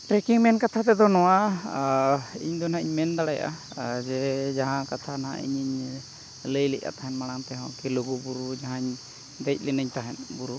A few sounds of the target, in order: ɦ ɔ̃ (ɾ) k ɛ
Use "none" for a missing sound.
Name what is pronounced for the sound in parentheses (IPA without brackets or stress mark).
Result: none